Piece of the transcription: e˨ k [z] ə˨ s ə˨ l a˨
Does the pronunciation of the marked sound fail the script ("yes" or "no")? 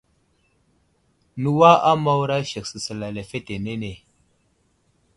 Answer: yes